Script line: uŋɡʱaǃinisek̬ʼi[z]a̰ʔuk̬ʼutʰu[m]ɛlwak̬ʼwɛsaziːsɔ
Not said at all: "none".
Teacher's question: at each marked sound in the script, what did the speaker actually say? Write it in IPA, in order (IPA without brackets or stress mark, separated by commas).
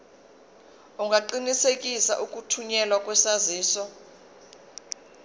s, ɲ